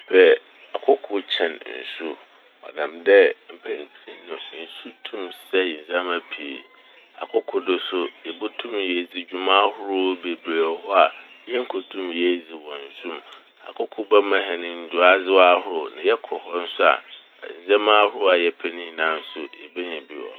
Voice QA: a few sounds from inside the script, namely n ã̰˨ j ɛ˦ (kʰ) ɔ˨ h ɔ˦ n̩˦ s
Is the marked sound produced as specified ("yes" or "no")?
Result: yes